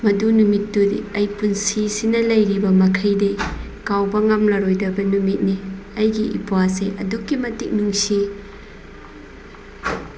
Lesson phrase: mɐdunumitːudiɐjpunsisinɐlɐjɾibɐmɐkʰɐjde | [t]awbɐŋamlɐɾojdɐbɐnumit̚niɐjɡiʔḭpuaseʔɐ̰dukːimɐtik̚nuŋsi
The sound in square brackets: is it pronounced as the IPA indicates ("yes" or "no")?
no